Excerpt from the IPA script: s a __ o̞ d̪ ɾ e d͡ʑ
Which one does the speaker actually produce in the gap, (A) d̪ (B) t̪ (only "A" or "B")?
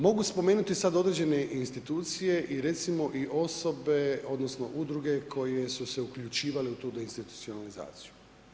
A